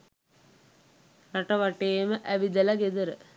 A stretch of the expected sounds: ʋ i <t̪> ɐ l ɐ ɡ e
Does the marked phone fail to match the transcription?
yes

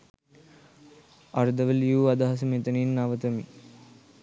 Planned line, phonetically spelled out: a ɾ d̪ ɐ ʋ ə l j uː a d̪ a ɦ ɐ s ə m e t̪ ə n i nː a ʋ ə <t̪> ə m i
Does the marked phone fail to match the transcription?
no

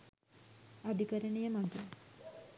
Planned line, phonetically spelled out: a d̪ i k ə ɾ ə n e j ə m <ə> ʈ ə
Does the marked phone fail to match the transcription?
yes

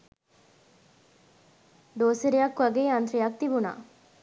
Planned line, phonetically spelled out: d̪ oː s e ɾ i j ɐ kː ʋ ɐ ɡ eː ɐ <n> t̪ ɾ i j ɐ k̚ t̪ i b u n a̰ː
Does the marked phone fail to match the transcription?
no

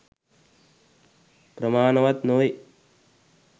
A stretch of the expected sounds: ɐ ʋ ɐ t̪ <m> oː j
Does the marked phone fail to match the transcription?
yes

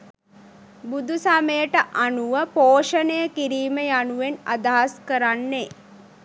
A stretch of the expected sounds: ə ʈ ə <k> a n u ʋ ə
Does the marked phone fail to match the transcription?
yes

